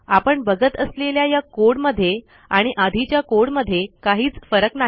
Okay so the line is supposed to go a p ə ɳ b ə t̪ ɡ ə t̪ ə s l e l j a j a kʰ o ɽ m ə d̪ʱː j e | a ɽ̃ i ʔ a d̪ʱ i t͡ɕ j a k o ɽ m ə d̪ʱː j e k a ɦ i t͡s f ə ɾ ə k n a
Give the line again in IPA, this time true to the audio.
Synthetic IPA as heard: a p ə ɳ b ə ɡ ə t̪ ə s l e l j a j a k o ɽ m ə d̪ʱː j e | a ɽ̃ i ʔ a d̪ʱ i t͡ɕ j a k o ɽ m ə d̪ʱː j e k a ɦ iː t͡s f ə ɾ ə k n a